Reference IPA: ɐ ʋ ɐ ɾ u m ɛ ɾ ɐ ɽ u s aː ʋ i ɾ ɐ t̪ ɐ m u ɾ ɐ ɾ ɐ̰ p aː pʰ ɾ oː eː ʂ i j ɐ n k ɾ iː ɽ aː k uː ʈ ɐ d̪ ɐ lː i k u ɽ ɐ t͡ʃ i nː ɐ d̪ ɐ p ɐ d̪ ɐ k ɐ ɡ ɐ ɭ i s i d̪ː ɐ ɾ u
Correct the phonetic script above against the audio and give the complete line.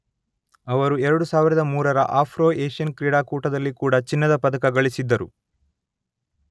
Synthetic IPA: ɐ ʋ ɐ ɾ u ɛ ɾ ɐ ɽ u s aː ʋ i ɾ ɐ d̪ ɐ m uː ɾ ɐ ɾ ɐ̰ ʔ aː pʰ ɾ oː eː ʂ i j ɐ n k ɾ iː ɽ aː k uː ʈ ɐ d̪ ɐ lː i k uː ɽ ɐ t͡ʃ i nː ɐ d̪ ɐ p ɐ d̪ ɐ k ɐ ɡ ɐ ɭ i s i d̪ː ɐ ɾ u